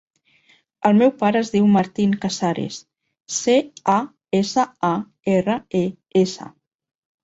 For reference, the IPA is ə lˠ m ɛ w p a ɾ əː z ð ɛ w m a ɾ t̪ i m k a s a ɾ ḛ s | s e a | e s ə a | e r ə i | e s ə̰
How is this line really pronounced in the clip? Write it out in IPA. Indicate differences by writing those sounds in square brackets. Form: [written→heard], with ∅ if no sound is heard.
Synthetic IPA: ə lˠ m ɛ w p a ɾ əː z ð [ɛ→i] w m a ɾ t̪ i [m→ŋ] k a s a ɾ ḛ s | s e a | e s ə a | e r ə [i→e] | e s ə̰